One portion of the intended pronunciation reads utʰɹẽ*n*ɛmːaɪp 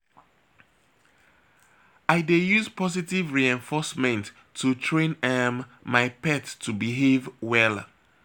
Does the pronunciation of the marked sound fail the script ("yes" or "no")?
no